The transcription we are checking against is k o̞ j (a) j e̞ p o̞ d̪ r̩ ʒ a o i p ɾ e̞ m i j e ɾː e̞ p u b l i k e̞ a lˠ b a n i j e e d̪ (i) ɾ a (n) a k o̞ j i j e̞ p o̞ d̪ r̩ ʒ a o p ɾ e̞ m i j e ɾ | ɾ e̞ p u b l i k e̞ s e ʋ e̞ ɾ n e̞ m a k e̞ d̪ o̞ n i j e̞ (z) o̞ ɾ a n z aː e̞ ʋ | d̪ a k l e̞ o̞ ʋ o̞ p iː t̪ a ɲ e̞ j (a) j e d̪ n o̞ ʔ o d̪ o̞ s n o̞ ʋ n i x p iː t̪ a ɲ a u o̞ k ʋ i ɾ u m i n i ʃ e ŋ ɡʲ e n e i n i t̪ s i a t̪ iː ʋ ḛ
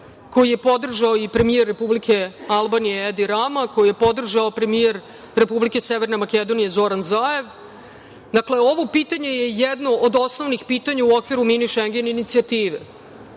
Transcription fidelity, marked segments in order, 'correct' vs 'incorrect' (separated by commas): incorrect, correct, incorrect, correct, incorrect